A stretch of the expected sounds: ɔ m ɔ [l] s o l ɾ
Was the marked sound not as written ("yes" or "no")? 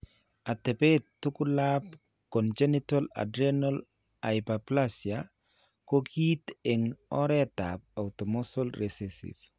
yes